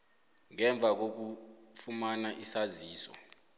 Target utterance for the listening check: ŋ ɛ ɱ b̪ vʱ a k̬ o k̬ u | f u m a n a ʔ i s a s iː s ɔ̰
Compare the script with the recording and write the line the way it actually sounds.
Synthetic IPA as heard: ŋ ɛ ɱ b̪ vʱ a k̬ o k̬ u | f u m a n a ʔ i s a z iː s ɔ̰